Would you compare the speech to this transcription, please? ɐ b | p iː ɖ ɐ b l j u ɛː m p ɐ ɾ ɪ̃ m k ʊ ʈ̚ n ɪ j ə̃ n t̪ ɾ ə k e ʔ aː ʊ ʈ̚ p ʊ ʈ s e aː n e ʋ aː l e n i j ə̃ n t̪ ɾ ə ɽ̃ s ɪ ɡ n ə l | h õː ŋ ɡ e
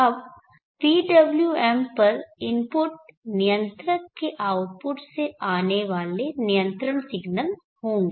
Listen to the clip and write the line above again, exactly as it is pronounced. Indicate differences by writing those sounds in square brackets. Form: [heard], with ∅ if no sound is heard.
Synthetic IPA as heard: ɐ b | p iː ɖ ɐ b l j u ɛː m p ɐ ɾ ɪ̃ m [p] ʊ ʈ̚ n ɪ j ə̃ n t̪ ɾ ə k e ʔ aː ʊ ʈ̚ p ʊ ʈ s e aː n e ʋ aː l e n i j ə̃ n t̪ ɾ ə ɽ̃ s ɪ ɡ n ə l | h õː ŋ ɡ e